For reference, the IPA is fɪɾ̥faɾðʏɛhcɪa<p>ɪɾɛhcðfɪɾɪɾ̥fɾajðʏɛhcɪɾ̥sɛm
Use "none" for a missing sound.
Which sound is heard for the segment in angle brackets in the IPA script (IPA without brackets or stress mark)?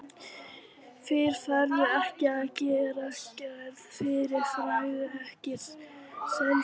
c